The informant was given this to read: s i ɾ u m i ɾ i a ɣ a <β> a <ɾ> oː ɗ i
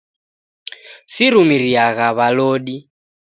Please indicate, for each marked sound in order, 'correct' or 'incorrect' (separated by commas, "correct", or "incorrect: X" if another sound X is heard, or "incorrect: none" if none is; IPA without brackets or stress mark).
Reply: correct, incorrect: l